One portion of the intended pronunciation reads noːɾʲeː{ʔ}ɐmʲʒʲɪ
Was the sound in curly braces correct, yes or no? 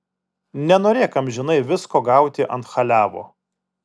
no